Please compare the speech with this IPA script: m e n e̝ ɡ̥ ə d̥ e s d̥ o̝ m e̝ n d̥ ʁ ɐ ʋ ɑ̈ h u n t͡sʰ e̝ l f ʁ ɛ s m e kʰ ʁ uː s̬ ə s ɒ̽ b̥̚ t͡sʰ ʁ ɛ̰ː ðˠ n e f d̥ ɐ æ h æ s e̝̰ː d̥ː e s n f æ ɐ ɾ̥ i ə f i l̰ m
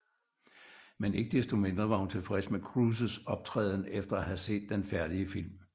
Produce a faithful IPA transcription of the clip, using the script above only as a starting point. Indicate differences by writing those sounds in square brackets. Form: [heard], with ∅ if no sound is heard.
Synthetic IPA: m e n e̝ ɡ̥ ə d̥ e s d̥ o̝ m e̝ n d̥ ʁ ɐ ʋ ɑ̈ h u n t͡sʰ e̝ l f ʁ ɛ s m e kʰ ʁ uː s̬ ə s ɒ̽ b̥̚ t͡sʰ ʁ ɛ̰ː ðˠ n e f d̥ ɐ æ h æ s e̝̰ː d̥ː e [∅] n f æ ɐ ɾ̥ i ə f i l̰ m